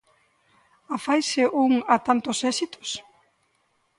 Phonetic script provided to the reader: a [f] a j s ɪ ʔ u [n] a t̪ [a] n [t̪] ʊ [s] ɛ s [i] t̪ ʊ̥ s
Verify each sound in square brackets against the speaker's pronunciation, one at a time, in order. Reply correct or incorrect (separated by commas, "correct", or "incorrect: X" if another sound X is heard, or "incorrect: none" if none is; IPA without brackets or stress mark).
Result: correct, incorrect: ŋ, correct, correct, correct, correct